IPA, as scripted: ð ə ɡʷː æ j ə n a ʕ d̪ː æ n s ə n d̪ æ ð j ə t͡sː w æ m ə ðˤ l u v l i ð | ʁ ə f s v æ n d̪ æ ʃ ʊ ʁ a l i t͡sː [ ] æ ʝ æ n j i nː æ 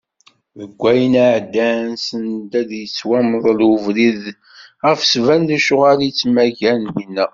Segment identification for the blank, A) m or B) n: A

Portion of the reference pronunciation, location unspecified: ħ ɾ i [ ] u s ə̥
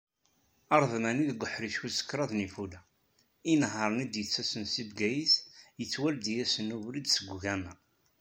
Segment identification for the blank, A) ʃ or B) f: A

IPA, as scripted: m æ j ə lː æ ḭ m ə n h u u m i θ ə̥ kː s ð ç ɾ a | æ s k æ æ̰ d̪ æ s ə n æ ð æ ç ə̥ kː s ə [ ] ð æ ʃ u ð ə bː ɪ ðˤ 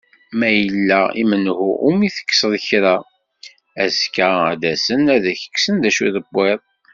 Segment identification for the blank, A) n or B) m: A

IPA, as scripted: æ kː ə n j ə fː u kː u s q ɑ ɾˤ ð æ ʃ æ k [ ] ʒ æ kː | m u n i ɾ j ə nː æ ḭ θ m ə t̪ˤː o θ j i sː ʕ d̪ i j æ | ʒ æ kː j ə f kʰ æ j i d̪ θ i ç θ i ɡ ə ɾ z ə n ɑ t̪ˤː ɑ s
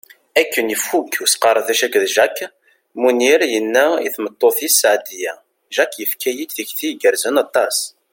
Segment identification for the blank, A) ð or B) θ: A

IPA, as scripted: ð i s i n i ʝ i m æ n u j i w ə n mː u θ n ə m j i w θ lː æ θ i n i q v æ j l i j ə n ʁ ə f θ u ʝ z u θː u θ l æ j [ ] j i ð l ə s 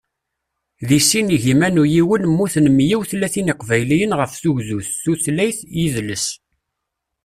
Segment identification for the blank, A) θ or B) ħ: A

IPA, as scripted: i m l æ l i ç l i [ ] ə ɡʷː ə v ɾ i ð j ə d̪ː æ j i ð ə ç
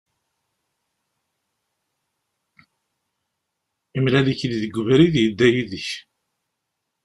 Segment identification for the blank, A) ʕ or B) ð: B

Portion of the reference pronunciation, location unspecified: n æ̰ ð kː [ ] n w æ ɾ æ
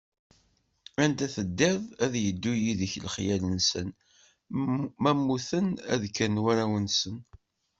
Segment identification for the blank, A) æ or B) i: A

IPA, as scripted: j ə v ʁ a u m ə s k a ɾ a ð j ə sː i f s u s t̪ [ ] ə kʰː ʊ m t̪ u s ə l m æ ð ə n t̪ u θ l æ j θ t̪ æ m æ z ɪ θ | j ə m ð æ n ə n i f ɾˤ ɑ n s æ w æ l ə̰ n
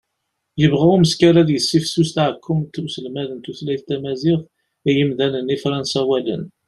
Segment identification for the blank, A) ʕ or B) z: A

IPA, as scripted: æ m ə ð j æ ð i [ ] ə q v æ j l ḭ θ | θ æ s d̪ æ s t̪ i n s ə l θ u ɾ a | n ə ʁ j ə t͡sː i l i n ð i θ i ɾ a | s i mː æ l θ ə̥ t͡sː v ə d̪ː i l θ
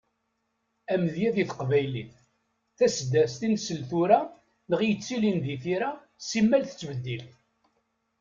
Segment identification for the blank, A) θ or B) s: A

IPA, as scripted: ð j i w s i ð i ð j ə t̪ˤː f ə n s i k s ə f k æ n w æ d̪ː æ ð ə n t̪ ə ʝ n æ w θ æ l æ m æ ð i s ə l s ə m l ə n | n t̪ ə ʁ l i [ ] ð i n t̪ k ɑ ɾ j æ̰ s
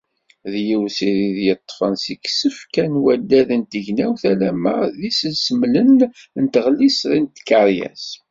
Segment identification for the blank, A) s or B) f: A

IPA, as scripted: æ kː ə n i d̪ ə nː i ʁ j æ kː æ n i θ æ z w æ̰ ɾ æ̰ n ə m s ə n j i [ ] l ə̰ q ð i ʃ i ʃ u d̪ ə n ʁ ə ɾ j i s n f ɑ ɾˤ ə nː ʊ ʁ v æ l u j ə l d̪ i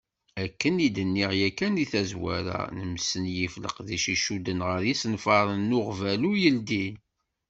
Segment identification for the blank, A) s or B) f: B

